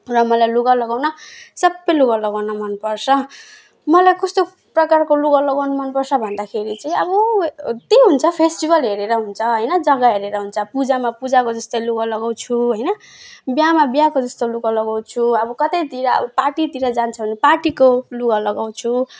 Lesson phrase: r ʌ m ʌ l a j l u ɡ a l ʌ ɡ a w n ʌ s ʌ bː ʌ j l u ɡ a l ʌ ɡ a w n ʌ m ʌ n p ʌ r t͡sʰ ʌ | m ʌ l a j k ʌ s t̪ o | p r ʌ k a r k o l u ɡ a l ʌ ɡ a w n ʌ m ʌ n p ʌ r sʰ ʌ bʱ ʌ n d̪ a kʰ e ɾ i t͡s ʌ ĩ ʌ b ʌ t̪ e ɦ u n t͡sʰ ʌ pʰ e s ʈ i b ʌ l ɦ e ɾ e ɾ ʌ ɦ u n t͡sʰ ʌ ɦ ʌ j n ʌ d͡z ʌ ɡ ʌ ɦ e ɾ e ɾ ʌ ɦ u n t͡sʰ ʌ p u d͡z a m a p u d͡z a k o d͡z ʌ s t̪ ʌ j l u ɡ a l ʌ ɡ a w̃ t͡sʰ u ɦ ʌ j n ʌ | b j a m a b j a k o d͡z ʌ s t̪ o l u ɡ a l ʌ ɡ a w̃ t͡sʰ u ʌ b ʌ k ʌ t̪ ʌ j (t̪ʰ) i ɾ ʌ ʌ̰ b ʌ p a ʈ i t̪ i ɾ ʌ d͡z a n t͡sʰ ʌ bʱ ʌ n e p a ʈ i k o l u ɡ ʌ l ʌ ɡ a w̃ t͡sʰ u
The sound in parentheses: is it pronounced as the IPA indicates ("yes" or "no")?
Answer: no